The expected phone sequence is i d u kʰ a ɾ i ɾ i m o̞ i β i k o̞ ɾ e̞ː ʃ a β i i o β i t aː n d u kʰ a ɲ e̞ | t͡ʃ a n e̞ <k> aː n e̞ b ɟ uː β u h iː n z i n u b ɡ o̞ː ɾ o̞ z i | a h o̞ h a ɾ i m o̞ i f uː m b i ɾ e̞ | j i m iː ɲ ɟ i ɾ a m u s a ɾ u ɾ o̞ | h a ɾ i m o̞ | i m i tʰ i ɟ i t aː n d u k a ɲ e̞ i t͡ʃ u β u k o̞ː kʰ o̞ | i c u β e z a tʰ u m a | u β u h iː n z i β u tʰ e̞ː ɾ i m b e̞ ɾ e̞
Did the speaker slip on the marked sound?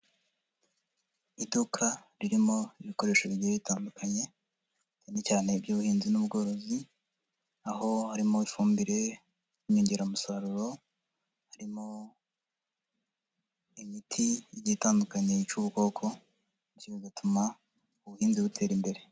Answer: yes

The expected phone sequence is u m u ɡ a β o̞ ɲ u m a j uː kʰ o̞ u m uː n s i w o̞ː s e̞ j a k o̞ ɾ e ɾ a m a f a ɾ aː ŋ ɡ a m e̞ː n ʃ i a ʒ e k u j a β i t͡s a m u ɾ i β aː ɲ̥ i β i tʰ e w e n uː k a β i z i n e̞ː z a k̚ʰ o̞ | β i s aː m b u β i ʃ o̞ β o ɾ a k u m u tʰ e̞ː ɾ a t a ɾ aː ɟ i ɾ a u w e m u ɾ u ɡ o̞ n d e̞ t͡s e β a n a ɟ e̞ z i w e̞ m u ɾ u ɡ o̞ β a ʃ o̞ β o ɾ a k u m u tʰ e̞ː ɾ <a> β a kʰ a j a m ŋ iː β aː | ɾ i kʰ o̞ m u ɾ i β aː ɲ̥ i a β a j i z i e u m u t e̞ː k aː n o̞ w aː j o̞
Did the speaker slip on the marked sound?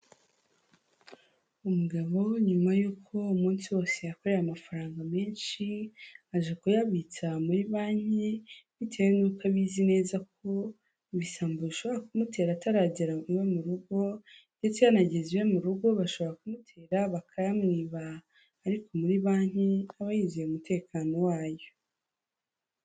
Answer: no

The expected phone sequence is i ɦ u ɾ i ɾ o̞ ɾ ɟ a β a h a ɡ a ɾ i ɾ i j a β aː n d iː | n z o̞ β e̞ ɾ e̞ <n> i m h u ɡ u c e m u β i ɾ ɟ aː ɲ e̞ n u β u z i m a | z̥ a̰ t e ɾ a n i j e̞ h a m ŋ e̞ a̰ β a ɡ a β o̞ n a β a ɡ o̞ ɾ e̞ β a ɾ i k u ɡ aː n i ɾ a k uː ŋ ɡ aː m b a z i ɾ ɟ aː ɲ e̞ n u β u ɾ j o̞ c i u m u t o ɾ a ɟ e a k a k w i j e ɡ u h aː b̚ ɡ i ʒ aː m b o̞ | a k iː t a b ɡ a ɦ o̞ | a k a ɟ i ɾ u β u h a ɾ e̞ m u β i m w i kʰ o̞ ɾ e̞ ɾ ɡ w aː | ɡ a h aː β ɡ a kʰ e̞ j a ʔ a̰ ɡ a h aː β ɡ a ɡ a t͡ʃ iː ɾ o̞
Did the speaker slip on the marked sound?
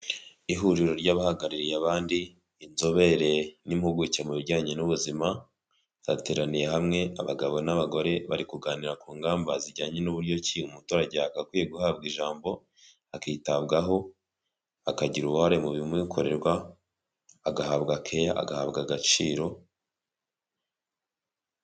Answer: no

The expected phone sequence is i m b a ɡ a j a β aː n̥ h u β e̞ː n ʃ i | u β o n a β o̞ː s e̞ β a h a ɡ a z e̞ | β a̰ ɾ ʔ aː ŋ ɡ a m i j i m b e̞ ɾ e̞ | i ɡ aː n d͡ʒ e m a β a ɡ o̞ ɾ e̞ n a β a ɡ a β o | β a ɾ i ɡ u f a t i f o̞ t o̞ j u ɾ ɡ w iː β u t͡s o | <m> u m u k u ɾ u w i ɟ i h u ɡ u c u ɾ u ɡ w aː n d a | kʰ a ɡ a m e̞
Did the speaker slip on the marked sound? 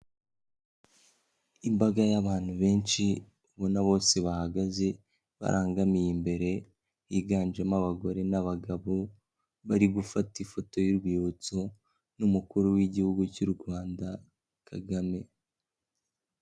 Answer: yes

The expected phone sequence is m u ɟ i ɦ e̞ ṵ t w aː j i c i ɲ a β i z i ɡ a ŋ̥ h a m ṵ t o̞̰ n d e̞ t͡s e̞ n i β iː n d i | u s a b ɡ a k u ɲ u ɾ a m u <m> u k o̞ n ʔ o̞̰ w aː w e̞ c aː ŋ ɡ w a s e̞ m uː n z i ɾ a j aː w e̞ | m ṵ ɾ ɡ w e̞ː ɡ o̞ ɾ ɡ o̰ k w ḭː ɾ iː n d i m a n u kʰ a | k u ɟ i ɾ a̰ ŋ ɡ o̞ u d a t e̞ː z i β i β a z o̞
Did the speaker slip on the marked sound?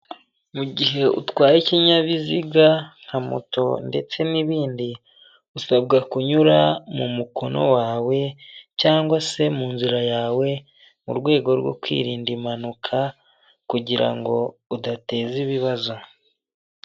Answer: no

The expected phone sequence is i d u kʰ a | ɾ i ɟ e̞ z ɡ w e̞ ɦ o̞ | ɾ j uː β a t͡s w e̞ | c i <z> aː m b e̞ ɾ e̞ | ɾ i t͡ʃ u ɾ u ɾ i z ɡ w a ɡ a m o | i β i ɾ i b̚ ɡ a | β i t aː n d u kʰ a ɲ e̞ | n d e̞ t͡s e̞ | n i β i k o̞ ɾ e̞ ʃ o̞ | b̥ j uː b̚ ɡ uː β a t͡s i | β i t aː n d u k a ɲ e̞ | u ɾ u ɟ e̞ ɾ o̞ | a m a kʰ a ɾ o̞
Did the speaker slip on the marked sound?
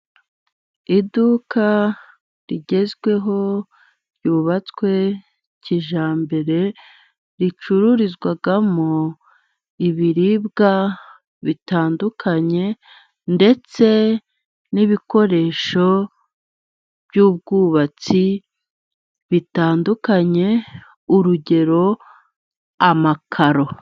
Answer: yes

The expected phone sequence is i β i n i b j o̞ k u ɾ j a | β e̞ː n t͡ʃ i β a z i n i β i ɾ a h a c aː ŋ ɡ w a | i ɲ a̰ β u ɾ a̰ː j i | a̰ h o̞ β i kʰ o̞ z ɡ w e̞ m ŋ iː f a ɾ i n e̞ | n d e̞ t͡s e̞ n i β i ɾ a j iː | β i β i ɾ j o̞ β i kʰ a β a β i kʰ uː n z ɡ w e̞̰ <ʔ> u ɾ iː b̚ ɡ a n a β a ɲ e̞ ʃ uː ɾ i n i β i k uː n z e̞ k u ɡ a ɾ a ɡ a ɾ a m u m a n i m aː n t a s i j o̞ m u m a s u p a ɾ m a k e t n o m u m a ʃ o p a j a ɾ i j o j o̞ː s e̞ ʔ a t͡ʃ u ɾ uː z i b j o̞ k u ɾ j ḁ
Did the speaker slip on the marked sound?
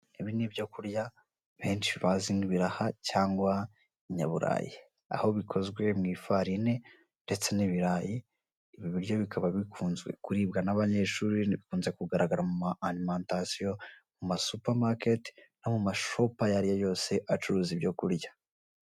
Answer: yes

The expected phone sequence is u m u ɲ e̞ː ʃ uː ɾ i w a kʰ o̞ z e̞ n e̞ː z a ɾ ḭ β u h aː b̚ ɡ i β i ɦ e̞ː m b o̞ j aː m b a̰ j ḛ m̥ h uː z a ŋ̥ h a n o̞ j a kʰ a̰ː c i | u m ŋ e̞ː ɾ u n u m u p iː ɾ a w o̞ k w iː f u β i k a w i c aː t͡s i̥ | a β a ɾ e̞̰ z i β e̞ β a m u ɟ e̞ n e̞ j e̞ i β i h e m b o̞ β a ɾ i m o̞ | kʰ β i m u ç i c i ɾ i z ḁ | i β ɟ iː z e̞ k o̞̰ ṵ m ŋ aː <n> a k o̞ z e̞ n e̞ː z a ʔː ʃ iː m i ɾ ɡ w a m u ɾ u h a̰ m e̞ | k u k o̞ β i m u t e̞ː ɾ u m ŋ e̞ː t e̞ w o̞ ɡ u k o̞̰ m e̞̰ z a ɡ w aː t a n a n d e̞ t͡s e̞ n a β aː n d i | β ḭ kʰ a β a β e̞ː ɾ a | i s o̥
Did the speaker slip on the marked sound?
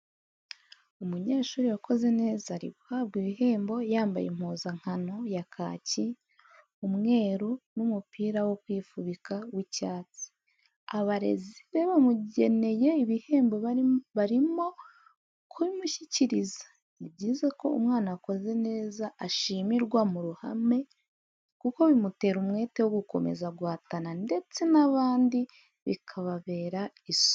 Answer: no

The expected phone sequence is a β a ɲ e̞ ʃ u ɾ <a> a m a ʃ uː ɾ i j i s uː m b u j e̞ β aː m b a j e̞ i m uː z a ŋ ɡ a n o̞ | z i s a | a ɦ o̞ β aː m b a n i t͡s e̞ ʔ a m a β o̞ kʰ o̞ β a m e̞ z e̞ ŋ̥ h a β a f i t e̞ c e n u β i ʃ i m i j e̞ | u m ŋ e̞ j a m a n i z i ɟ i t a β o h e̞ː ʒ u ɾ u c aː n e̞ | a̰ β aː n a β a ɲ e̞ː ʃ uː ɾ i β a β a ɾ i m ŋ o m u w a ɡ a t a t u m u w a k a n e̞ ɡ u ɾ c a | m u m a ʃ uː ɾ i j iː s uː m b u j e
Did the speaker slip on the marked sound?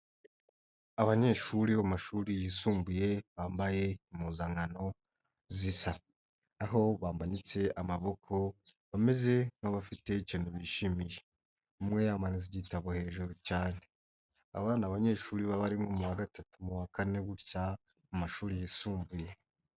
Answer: yes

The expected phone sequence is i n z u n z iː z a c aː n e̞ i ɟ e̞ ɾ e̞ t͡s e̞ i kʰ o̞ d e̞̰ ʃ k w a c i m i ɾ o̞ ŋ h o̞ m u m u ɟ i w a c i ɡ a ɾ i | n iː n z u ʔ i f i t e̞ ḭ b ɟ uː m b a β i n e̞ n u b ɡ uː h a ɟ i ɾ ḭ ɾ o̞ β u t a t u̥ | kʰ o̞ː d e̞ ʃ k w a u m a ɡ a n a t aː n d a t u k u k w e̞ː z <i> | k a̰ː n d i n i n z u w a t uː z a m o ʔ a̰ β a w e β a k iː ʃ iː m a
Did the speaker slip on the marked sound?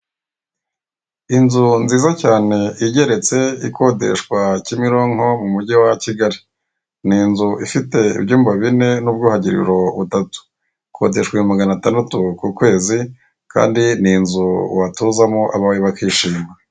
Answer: no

